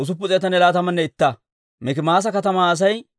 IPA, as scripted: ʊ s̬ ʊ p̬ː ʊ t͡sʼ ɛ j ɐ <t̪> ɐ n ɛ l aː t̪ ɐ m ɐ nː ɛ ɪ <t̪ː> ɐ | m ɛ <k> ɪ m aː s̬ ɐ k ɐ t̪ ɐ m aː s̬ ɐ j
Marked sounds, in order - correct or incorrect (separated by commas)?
correct, correct, correct